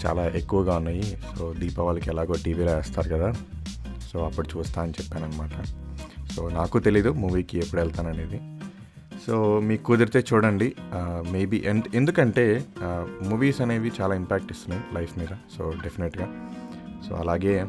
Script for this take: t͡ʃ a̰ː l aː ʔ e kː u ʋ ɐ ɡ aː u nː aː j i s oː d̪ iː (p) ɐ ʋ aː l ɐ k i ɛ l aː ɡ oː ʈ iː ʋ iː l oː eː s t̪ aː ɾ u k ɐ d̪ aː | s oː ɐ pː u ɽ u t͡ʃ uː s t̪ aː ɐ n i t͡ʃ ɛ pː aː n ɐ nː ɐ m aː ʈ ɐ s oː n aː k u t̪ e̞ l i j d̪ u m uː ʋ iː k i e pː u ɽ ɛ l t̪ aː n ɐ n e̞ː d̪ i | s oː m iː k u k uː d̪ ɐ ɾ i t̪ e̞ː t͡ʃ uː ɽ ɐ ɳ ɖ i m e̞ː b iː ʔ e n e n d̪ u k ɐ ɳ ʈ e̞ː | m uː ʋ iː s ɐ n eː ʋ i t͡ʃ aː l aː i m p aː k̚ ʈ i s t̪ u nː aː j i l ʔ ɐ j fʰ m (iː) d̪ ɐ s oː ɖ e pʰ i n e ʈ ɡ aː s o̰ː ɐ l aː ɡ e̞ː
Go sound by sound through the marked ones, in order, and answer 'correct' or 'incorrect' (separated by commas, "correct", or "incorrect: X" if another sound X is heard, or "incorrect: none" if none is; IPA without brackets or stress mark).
correct, correct